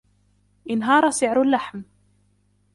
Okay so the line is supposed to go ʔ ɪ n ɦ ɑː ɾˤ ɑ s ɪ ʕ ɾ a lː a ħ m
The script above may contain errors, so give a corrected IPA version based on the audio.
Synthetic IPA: ʔ ɪ n ɦ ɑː ɾˤ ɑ s ɪ ʕ ɾ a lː a ħ m